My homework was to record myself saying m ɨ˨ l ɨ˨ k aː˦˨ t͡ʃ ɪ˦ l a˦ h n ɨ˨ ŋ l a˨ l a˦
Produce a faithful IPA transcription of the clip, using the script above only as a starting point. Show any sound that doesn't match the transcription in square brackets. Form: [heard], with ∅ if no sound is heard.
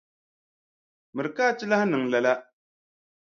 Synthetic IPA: m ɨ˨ [ɾ] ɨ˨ k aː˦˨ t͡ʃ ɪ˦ l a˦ h n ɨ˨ ŋ l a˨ l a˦